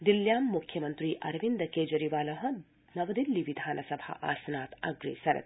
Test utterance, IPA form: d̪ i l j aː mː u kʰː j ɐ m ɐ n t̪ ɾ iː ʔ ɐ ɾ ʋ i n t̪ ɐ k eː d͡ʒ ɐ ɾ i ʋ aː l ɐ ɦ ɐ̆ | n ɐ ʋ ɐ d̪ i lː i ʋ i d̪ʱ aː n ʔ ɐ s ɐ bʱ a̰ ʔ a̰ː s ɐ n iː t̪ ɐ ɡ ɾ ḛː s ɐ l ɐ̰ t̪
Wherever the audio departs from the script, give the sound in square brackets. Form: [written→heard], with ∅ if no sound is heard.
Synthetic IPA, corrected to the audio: d̪ i l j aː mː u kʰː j ɐ m ɐ n t̪ ɾ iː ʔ ɐ ɾ ʋ i n [t̪→d̪] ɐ k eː d͡ʒ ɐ ɾ i ʋ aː l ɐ ɦ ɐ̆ | n ɐ ʋ ɐ d̪ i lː i ʋ i d̪ʱ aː n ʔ ɐ s ɐ bʱ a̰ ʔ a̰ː s ɐ n [iː→aː] t̪ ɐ ɡ ɾ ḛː s ɐ [l→ɾ] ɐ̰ t̪

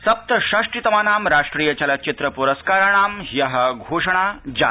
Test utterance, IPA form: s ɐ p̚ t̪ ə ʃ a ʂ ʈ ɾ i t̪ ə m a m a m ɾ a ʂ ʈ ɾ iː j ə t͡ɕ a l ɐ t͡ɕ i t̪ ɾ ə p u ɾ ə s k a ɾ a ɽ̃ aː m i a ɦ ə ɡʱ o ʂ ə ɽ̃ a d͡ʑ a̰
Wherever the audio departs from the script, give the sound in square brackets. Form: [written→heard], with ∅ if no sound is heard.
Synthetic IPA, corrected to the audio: s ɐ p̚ t̪ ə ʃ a ʂ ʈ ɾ i t̪ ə m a [m→n] a m ɾ a ʂ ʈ ɾ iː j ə t͡ɕ a l [ɐ→a] t͡ɕ i t̪ ɾ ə p u ɾ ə s k a ɾ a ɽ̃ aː m [i→j] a ɦ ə ɡʱ o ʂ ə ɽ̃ a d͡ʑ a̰

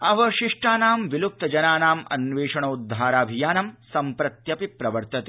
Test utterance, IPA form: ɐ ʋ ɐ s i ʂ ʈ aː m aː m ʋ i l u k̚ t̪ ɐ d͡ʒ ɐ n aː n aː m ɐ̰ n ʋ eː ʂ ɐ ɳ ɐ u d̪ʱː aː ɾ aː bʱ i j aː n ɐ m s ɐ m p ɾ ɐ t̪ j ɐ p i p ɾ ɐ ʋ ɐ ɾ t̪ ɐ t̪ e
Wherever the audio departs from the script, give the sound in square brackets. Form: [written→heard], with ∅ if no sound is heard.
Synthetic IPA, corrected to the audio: ɐ ʋ ɐ [s→ʃ] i ʂ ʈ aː [m→n] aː m ʋ i l u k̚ t̪ ɐ d͡ʒ ɐ n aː n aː m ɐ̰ n ʋ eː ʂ ɐ ɳ ɐ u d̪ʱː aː ɾ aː bʱ i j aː n ɐ m s ɐ m p ɾ ɐ t̪ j ɐ p i p ɾ ɐ ʋ ɐ ɾ t̪ ɐ t̪ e

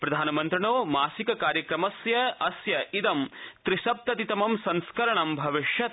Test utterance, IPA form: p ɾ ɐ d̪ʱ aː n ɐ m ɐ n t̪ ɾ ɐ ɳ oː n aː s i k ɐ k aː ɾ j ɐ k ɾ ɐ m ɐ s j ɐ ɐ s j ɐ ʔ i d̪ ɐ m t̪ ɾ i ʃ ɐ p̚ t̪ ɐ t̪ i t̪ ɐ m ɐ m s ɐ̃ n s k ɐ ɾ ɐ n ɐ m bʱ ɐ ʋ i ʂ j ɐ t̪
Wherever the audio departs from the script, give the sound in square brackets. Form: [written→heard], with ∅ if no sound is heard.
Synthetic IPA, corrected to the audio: p ɾ ɐ d̪ʱ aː n ɐ m ɐ n t̪ ɾ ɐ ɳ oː [n→m] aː s i k ɐ k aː ɾ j ɐ k ɾ ɐ m ɐ s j ɐ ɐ s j ɐ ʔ i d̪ ɐ m t̪ ɾ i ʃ ɐ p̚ t̪ ɐ t̪ i t̪ ɐ m ɐ m s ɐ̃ n s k ɐ ɾ ɐ [n→ɳ] ɐ m bʱ ɐ ʋ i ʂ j ɐ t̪

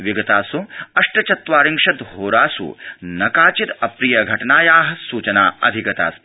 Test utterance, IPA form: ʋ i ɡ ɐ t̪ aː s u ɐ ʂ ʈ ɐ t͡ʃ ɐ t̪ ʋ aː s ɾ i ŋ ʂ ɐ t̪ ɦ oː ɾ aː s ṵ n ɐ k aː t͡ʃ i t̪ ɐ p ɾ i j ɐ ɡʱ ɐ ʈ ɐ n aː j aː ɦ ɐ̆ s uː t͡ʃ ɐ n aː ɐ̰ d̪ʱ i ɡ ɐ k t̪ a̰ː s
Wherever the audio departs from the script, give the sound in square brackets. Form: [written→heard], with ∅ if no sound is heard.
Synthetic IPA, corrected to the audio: ʋ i ɡ ɐ t̪ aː s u ɐ ʂ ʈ ɐ t͡ʃ ɐ t̪ ʋ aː [s→∅] ɾ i ŋ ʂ ɐ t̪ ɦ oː ɾ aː s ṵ n ɐ k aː t͡ʃ i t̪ ɐ p ɾ i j ɐ ɡʱ ɐ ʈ ɐ n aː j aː ɦ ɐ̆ s uː t͡ʃ ɐ n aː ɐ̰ d̪ʱ i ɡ ɐ [k→∅] t̪ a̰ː s

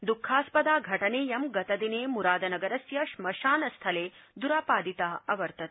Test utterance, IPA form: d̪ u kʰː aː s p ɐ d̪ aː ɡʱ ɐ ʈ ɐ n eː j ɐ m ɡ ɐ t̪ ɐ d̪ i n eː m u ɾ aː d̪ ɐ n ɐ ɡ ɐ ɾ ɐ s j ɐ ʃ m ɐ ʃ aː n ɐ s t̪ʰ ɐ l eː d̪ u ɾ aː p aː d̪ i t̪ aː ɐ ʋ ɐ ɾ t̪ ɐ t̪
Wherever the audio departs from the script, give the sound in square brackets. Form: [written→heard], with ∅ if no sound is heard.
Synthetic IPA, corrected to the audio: d̪ u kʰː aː s p ɐ d̪ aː ɡʱ ɐ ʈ ɐ n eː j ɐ m ɡ ɐ t̪ ɐ d̪ i n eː m u ɾ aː d̪ ɐ n ɐ ɡ ɐ ɾ ɐ s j ɐ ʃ m ɐ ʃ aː n ɐ s t̪ʰ ɐ l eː d̪ u ɾ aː p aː d̪ i t̪ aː ɐ ʋ ɐ ɾ t̪ ɐ t̪

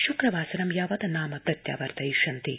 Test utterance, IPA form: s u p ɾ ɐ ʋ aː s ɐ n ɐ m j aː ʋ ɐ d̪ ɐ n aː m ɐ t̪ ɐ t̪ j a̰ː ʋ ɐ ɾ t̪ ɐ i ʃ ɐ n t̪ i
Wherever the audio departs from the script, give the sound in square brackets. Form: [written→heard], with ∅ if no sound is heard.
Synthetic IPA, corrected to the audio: [s→ʃ] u [p→k] ɾ ɐ ʋ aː s ɐ n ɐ m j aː ʋ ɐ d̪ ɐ n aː m ɐ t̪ ɐ t̪ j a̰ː ʋ ɐ ɾ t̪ ɐ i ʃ ɐ n t̪ i

